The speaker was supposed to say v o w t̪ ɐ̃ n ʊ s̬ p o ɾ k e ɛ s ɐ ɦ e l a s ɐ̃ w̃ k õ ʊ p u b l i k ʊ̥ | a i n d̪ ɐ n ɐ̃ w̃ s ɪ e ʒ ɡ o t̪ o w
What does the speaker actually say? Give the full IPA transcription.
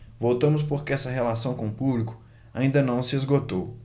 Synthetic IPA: v o w t̪ ɐ̃ m ʊ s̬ p o ɾ k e ɛ s ɐ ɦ e l a s ɐ̃ w̃ k õ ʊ p u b l i k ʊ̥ | a ĩ n d̪ ɐ n ɐ̃ w̃ s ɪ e z ɡ o t̪ o w